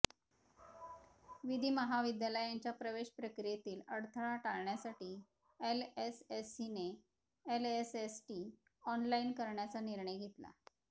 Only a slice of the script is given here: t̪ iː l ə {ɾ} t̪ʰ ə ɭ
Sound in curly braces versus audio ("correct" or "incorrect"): incorrect